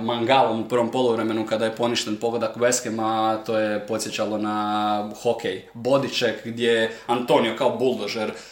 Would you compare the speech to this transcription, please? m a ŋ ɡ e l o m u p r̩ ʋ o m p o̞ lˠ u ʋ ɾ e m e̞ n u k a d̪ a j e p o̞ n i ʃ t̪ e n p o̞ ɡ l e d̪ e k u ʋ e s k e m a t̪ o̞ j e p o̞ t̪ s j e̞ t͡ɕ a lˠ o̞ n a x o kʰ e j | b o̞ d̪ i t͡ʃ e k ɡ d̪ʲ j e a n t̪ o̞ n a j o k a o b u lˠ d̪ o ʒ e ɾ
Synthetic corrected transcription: m a ŋ ɡ a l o m u p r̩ ʋ o m p o̞ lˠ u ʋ ɾ e m e̞ n u k a d̪ a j e p o̞ n i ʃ t̪ e n p o̞ ɡ l e d̪ a k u ʋ e s k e m a t̪ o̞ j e p o̞ t̪ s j e̞ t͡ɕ a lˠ o̞ n a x o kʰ e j | b o̞ d̪ i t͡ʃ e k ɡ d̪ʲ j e a n t̪ o̞ n i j o k a o b u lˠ d̪ o ʒ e ɾ